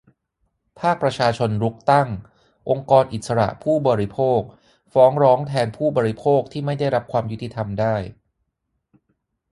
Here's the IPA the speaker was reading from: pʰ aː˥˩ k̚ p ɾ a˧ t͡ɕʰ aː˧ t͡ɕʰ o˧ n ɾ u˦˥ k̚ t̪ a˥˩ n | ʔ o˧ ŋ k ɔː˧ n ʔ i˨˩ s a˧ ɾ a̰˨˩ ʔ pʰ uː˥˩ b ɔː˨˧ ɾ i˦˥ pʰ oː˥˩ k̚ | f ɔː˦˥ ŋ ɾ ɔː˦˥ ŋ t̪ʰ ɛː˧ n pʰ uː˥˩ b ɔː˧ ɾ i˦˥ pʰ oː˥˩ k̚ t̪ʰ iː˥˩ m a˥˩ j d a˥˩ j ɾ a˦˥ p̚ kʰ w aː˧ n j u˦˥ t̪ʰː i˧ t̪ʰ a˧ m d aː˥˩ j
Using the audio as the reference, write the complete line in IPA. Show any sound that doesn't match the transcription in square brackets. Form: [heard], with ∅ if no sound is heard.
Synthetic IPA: pʰ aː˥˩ k̚ p ɾ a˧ t͡ɕʰ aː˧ t͡ɕʰ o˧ n ɾ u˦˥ k̚ t̪ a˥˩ [ŋ] | ʔ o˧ ŋ k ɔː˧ n ʔ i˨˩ s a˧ ɾ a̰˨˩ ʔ pʰ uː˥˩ b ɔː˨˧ ɾ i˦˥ pʰ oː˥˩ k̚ | f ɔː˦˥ ŋ ɾ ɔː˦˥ ŋ t̪ʰ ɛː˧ n pʰ uː˥˩ b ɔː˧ ɾ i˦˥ pʰ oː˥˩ k̚ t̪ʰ iː˥˩ m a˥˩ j d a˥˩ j ɾ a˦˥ p̚ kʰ w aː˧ [m] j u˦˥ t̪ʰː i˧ t̪ʰ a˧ m d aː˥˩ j